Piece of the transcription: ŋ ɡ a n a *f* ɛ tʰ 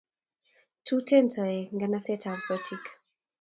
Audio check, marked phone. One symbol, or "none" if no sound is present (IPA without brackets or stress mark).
s